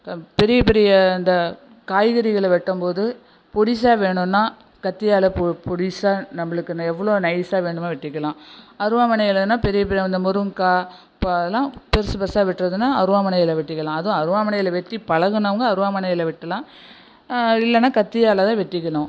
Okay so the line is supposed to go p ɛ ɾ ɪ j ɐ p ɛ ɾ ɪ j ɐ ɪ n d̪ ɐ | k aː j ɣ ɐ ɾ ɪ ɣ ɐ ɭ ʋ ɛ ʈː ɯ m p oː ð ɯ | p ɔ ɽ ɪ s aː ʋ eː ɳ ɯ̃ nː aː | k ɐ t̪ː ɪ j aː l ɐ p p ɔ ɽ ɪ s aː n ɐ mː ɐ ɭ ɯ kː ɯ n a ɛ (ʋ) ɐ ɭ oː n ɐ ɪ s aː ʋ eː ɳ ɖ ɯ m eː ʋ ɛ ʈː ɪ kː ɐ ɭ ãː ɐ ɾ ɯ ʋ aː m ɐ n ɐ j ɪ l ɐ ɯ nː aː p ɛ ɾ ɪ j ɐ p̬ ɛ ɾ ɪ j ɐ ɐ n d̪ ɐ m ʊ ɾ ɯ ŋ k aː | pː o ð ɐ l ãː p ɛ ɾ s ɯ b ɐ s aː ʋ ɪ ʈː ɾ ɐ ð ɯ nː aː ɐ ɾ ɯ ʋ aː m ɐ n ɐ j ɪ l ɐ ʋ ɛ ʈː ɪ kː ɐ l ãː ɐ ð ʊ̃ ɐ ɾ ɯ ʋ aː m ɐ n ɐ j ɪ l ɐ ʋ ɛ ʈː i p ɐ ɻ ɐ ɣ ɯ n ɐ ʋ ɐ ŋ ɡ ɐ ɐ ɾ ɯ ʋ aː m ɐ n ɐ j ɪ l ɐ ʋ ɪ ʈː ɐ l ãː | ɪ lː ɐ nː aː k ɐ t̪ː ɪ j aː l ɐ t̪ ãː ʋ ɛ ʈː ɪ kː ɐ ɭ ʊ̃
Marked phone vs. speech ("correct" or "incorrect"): incorrect